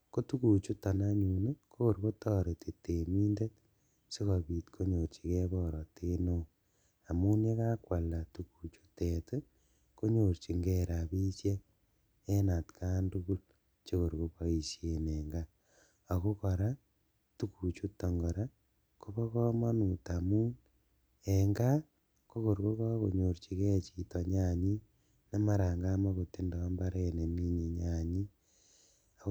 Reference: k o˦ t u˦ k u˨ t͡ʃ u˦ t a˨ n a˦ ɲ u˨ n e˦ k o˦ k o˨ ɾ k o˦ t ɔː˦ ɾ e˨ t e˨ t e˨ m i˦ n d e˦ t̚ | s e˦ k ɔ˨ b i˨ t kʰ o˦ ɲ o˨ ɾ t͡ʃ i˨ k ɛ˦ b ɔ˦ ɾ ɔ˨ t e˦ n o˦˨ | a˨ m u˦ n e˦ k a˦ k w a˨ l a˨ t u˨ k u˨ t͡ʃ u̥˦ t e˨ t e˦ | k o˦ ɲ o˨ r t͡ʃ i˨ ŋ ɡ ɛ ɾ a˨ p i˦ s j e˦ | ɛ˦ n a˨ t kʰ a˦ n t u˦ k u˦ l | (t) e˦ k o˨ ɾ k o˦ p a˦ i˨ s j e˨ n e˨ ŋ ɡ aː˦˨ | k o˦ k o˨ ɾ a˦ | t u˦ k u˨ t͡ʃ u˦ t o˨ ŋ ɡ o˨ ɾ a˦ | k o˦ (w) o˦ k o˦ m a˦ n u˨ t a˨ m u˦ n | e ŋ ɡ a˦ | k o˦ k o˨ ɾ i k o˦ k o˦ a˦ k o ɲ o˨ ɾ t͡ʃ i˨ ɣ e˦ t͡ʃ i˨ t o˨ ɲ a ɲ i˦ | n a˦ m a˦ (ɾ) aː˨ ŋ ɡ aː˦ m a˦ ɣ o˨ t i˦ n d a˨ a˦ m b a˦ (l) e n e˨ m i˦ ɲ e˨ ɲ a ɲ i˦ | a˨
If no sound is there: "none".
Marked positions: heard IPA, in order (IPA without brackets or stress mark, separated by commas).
t͡ʃ, β, ɾ, ɾ